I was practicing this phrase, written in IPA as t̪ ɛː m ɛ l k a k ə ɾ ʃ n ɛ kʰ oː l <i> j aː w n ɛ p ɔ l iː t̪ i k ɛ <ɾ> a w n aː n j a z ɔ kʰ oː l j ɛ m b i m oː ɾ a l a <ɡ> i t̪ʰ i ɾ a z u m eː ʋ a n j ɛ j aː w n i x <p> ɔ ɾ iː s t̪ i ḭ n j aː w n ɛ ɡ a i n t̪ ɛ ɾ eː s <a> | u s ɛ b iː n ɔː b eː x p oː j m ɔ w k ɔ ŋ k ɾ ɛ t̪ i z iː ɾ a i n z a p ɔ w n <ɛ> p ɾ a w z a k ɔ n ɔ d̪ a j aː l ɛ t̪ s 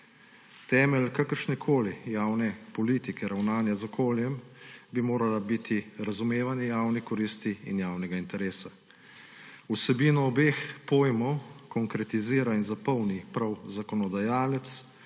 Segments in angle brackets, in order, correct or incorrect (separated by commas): correct, correct, incorrect, incorrect, correct, incorrect